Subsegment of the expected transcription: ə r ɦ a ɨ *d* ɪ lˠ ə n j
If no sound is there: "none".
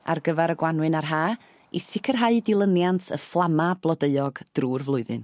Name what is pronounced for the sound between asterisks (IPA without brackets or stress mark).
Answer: d